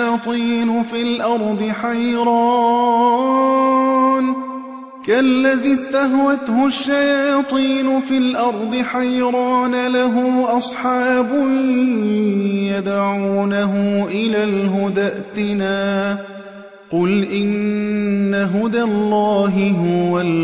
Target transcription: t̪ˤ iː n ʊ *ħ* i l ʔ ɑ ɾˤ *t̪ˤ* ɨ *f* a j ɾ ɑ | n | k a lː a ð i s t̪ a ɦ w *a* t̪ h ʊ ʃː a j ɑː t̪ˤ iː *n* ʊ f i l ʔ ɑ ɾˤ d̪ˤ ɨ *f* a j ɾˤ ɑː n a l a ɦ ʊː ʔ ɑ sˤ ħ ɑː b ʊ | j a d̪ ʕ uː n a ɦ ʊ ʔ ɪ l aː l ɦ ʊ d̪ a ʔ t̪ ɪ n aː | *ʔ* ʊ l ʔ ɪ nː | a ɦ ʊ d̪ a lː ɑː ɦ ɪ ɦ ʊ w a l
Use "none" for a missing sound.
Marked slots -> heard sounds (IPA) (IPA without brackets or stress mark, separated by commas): f, d̪ˤ, ħ, a, n, ħ, q